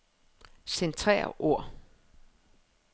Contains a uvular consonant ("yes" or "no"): yes